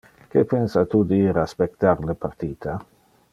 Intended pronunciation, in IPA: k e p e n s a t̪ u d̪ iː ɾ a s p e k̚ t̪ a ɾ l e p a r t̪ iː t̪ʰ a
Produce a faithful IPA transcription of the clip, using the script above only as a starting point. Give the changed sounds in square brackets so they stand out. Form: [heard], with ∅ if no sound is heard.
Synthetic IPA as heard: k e p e n s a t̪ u d̪ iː ɾ a s p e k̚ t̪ a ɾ l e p a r t̪ iː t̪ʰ a

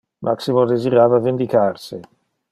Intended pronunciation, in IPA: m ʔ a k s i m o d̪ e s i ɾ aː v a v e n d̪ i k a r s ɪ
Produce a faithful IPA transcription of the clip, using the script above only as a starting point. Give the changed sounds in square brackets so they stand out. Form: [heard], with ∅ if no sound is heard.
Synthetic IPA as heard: m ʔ a k s i m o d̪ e [z] i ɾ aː v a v e n d̪ i k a r s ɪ

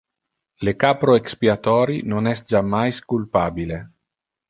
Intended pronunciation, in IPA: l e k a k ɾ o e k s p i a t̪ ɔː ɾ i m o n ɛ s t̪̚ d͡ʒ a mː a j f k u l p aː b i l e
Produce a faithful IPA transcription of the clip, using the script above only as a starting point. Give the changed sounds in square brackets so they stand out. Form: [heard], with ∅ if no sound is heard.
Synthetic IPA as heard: l e k a [p] ɾ o e k s p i a t̪ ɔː ɾ i [n] o n ɛ s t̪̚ d͡ʒ a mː a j [s] k u l p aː b i l e

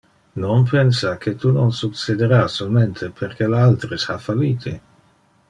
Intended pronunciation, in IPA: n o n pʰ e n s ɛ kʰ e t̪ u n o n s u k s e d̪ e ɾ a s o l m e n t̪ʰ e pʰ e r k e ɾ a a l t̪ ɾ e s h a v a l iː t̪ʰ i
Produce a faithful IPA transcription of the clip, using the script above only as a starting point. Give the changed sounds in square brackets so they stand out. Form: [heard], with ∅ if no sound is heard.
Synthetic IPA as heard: n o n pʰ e n s [a] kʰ e t̪ u n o n s u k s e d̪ e ɾ a s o l m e n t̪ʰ e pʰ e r k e [l] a a l t̪ ɾ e s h a [f] a l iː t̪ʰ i

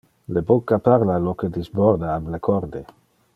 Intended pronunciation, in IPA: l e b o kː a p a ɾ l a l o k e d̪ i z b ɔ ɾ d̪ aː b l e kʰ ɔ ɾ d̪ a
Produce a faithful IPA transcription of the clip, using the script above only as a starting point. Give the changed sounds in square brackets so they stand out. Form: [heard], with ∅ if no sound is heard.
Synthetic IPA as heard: l e b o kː a p a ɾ l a l o k e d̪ i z b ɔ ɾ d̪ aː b l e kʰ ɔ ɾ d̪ [e]

